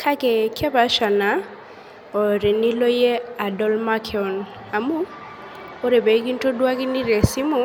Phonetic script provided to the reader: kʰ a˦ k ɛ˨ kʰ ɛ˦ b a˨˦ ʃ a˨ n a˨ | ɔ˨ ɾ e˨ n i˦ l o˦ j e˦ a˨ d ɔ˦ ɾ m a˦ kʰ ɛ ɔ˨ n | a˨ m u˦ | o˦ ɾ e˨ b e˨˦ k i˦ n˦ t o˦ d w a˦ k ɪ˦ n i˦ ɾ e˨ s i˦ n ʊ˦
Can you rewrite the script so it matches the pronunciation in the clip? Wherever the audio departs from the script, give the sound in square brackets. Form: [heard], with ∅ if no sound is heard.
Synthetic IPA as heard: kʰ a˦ k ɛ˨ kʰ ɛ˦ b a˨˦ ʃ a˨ n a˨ | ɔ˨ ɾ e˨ n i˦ l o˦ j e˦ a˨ d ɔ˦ [l] m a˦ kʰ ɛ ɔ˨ n | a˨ m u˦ | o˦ ɾ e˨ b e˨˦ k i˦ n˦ t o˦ d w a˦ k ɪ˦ n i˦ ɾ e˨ s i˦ [m] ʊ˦